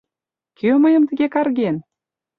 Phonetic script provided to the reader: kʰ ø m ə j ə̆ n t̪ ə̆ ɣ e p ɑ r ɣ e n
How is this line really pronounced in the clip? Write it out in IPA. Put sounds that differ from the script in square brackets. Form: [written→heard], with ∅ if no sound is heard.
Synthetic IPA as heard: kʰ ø m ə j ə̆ [n→m] t̪ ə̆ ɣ e [p→k] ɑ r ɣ e n

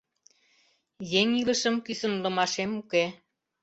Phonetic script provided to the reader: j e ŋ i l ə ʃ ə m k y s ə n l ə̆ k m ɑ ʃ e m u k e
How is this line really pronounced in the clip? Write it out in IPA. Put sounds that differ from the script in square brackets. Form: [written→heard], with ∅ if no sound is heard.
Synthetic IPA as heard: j e ŋ i l ə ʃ ə m k y s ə n l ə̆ [k→∅] m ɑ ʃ e m u k e

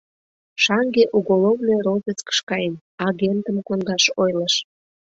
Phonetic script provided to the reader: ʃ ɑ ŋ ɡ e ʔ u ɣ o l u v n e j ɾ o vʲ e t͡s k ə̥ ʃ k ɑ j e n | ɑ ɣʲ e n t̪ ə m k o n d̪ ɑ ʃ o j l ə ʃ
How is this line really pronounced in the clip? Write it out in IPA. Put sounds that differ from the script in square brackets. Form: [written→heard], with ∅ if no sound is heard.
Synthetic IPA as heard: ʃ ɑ ŋ ɡ e ʔ u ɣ o l [u→o] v n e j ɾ o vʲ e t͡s k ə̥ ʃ k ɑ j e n | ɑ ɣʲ e n t̪ ə m k o n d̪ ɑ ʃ o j l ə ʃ

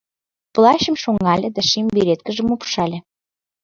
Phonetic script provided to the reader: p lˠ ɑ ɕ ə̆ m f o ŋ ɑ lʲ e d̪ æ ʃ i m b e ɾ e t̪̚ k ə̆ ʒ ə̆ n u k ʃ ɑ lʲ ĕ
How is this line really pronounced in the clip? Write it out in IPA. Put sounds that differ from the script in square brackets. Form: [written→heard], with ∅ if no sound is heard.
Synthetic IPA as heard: p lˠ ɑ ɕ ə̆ m [f→ʃ] o ŋ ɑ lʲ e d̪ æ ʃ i m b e ɾ e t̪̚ k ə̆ ʒ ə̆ [n→m] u [k→p] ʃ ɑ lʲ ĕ

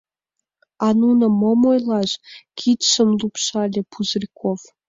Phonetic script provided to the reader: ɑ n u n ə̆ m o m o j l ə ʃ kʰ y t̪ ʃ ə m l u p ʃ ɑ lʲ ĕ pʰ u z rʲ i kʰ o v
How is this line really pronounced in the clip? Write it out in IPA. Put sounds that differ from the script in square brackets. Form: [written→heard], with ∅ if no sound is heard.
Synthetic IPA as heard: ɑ n u n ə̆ m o m o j l [ə→ɑ] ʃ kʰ [y→i] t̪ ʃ ə m l u p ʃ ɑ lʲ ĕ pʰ u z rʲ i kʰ o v

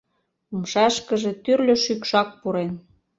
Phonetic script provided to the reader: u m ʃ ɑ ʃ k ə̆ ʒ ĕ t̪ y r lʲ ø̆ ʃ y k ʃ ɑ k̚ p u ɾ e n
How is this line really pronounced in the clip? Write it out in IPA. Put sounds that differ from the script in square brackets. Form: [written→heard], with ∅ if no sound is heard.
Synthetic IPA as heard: u m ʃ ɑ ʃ k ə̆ ʒ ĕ t̪ y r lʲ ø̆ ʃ y k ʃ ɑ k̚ p u ɾ e n

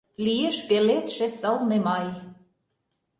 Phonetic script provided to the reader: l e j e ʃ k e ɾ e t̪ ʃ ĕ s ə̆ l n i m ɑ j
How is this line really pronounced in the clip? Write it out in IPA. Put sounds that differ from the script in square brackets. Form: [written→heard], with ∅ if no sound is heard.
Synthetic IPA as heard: l [e→i] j e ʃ [k→p] e [ɾ→l] e t̪ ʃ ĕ s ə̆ l n [i→e] m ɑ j

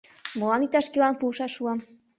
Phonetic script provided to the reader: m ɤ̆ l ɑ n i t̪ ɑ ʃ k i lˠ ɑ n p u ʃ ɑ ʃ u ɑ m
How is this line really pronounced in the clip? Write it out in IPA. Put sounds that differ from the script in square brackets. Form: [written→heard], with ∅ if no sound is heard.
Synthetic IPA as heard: m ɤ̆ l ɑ n i t̪ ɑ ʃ k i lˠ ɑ n p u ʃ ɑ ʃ u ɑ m

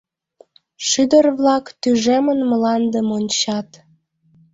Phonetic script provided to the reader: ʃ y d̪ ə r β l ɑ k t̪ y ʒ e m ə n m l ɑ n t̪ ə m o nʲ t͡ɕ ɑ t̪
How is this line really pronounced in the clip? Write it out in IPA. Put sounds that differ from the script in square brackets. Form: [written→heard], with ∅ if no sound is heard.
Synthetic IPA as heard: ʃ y d̪ ə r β l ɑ k t̪ y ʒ e m ə n m l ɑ n [t̪→d̪] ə m o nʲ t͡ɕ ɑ t̪

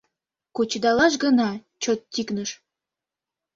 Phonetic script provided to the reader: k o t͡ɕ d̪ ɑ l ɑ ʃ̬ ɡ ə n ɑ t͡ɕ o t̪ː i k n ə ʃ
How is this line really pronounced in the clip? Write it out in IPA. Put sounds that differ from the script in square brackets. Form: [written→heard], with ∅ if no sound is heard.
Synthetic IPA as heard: k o t͡ɕ d̪ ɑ l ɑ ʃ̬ ɡ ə n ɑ t͡ɕ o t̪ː i k n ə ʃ

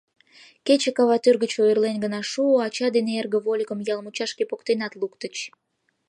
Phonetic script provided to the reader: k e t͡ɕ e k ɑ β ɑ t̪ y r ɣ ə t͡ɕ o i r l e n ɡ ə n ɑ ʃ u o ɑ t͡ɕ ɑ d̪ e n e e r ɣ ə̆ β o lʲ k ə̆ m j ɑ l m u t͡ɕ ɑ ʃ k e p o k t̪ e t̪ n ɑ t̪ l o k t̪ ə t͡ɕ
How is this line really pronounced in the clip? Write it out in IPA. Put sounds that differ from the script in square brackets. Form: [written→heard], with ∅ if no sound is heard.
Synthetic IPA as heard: k e t͡ɕ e k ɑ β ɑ t̪ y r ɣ ə t͡ɕ o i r l e n ɡ ə n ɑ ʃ u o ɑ t͡ɕ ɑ d̪ e n e e r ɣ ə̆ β o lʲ k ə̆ m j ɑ l m u t͡ɕ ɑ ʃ k e p o k t̪ e [t̪→∅] n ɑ t̪ l [o→u] k t̪ ə t͡ɕ

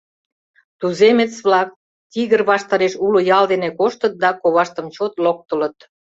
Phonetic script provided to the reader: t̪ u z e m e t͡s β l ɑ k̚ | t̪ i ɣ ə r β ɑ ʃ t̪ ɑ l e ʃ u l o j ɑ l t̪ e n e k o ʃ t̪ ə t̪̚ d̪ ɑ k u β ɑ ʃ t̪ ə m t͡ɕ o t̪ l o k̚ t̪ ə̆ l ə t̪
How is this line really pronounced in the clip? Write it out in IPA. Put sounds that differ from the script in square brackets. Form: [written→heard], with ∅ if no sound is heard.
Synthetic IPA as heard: t̪ u z e m e t͡s β l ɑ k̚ | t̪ i ɣ ə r β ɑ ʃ t̪ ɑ [l→ɾ] e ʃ u l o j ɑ l [t̪→d̪] e n e k o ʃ t̪ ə t̪̚ d̪ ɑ k [u→o] β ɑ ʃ t̪ ə m t͡ɕ o t̪ l o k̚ t̪ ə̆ l ə t̪

